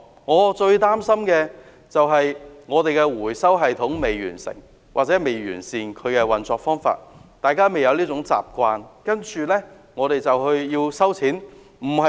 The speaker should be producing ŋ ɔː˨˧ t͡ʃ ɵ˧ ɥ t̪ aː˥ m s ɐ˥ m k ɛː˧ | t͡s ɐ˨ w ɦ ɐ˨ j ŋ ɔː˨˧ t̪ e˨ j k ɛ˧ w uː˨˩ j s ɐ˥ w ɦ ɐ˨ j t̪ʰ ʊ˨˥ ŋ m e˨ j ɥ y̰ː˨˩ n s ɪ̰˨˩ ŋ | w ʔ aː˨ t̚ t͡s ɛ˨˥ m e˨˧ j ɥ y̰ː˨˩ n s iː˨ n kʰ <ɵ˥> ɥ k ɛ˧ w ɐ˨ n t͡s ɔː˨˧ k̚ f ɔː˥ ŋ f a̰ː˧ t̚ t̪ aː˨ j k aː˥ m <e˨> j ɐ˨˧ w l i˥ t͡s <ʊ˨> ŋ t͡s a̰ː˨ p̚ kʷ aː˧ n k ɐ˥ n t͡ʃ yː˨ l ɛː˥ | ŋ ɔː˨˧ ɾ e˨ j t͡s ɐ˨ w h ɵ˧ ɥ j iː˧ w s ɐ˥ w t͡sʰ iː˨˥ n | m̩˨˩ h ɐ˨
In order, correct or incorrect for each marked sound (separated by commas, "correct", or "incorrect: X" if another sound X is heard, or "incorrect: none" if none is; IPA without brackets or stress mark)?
incorrect: ɵ˨˧, correct, incorrect: ʊ˨˥